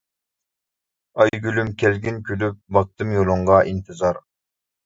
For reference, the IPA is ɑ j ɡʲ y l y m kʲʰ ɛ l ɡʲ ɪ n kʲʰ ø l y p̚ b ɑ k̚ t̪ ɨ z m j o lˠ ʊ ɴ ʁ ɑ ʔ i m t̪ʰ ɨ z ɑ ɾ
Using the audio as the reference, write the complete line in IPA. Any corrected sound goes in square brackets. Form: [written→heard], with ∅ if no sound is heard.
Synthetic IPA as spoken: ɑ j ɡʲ y l y m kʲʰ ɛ l ɡʲ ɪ n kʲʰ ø l y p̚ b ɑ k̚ t̪ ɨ [z→∅] m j o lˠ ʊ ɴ ʁ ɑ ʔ i [m→n] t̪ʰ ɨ z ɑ ɾ